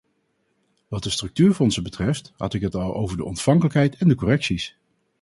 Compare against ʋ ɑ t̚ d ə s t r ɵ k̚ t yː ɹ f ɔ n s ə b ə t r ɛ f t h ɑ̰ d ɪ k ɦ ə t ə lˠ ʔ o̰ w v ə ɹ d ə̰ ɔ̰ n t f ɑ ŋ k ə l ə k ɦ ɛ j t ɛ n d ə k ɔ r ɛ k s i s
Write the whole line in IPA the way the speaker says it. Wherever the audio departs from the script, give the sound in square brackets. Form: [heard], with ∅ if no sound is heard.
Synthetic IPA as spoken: ʋ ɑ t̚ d ə s t r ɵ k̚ t yː ɹ f ɔ n s ə b ə t r ɛ f t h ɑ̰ [t] ɪ k ɦ ə t [ɑ] lˠ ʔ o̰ w v ə ɹ d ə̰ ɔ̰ n t f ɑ ŋ k ə l ə k ɦ ɛ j t ɛ n d ə k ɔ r ɛ k s i s